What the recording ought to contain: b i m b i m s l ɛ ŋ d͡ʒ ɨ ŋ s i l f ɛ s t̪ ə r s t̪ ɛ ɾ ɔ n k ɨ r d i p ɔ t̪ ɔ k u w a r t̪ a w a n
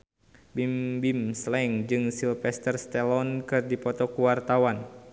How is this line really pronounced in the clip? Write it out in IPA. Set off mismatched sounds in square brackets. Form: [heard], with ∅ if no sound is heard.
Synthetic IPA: b i m b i m s l ɛ ŋ d͡ʒ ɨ ŋ s i l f ɛ s t̪ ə r s t̪ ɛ [l] ɔ n k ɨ r d i p ɔ t̪ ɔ k u w a r t̪ a w a n